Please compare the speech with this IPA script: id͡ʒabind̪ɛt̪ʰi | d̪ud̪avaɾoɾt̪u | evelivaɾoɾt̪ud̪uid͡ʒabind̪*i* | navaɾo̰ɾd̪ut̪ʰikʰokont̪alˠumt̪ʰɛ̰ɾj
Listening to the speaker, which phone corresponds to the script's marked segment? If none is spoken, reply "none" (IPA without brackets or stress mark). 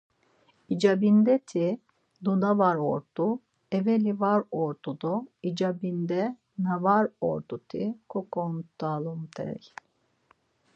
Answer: ɛ